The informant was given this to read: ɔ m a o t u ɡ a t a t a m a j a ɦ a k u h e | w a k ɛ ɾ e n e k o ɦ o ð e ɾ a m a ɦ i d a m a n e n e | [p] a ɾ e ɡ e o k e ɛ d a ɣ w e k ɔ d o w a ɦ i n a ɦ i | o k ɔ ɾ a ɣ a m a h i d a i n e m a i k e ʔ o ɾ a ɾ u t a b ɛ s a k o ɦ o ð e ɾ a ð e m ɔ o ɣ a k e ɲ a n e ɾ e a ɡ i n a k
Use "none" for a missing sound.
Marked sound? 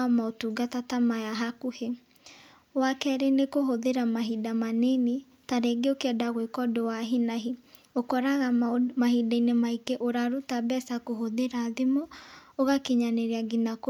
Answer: t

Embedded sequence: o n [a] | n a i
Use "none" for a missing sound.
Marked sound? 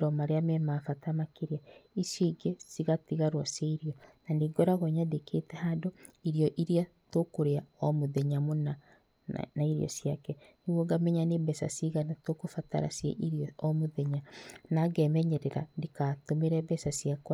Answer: a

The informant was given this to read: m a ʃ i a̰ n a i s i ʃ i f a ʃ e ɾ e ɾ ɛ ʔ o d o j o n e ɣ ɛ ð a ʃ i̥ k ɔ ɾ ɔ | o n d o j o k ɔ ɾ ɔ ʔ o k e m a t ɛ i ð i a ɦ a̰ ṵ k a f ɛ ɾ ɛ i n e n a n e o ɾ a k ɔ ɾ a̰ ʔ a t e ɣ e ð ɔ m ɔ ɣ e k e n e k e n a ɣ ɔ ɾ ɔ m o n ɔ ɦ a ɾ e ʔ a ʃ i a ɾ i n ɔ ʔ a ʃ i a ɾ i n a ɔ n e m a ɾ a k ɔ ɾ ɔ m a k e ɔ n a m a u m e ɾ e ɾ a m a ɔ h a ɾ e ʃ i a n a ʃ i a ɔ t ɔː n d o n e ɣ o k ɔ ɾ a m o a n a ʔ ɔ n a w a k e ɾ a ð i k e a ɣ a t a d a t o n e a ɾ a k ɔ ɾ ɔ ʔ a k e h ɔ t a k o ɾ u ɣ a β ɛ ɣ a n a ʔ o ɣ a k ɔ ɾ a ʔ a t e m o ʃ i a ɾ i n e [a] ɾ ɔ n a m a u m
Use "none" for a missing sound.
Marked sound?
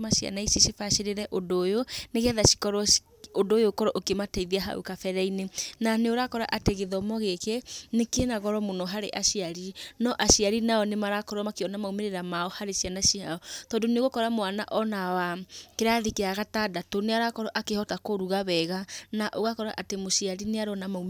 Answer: a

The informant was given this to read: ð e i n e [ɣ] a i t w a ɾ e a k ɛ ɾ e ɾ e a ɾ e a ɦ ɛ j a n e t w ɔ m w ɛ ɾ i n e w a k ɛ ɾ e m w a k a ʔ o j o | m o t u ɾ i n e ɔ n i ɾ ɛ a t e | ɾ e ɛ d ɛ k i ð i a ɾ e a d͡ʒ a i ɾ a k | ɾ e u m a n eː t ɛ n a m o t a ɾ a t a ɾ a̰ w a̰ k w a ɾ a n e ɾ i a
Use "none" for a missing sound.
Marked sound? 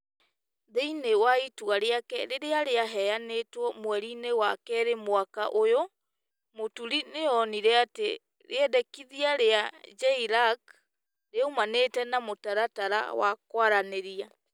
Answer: w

